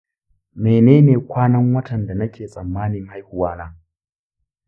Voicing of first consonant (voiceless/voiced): voiced